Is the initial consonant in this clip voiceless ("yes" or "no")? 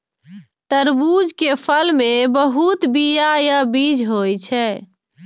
yes